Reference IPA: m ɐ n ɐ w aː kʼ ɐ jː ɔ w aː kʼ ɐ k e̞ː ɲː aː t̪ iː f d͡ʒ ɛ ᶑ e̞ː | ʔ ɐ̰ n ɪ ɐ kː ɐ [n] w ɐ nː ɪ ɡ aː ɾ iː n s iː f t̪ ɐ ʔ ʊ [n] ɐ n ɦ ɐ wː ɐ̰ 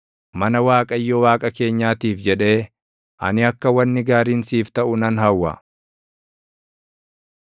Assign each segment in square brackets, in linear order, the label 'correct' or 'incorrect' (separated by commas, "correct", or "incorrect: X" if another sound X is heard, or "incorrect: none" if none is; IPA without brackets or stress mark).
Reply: incorrect: none, correct